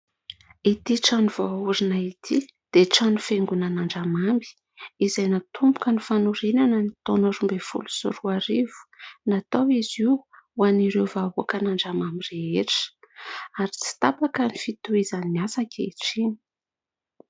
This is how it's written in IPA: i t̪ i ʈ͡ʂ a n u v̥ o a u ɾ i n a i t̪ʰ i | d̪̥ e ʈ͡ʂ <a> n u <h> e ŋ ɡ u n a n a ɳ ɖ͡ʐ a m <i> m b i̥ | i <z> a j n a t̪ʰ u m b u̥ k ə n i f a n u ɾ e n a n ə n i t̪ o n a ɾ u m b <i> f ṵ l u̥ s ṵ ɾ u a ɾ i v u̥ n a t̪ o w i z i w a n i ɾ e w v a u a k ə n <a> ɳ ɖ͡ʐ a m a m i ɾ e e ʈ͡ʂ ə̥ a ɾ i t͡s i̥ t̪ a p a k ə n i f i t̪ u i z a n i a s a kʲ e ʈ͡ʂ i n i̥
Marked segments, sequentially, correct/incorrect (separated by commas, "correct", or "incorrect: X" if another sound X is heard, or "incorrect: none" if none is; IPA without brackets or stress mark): correct, incorrect: f, incorrect: a, correct, incorrect: e, correct